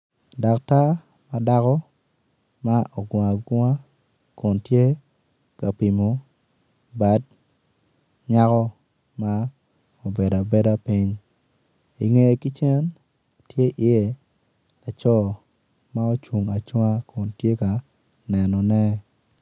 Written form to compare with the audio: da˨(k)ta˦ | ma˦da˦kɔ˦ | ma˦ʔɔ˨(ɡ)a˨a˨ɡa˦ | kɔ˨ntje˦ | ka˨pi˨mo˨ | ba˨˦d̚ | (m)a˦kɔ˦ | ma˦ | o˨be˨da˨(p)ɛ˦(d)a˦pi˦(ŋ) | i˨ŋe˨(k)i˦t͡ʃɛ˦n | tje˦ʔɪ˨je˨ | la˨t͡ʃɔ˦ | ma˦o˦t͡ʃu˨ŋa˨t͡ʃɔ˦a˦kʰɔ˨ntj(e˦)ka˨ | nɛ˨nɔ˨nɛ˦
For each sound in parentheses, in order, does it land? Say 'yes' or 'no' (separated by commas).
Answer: yes, yes, no, no, yes, no, yes, yes